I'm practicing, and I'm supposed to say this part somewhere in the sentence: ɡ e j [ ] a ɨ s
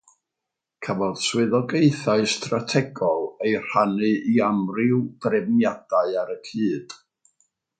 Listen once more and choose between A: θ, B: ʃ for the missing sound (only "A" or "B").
A